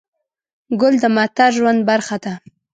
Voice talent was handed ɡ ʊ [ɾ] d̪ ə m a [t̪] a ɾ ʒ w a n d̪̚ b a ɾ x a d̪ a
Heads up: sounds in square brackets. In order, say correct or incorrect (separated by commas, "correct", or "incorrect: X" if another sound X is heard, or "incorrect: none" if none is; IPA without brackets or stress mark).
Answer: incorrect: l, correct